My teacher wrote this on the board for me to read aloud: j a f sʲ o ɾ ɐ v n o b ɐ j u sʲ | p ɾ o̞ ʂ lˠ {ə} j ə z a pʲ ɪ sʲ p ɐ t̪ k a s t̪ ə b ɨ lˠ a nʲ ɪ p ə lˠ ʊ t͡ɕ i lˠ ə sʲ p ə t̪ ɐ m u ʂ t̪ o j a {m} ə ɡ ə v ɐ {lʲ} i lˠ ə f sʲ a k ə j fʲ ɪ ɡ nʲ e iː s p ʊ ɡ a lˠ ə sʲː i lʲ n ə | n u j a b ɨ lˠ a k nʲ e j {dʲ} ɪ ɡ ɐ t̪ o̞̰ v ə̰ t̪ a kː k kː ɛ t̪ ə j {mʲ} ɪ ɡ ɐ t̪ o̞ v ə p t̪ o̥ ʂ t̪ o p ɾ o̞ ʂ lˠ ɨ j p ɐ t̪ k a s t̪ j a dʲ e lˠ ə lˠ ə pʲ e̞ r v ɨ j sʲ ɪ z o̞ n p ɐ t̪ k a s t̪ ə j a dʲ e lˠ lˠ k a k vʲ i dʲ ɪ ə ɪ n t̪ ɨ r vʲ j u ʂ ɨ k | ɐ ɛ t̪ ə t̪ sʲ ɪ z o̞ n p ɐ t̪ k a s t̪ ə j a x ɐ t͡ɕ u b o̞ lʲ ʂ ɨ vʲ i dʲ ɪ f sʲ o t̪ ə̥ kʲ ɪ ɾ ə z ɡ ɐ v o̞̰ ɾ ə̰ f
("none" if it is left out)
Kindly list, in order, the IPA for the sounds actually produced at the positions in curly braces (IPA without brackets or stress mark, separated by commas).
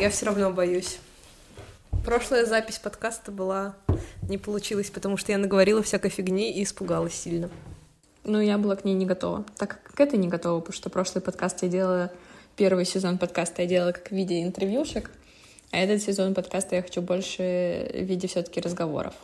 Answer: ə, n, ɾʲ, nʲ, nʲ